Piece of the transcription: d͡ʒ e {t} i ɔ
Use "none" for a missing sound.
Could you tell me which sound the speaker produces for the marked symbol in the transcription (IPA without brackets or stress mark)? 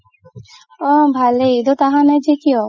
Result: k